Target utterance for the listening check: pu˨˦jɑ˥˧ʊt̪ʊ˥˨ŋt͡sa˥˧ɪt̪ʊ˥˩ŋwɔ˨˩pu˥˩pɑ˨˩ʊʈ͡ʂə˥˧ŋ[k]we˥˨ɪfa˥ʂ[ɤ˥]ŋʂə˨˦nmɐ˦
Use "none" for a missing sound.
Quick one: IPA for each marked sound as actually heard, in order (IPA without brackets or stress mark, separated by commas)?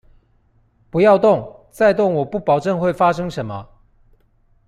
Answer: x, ɤ˥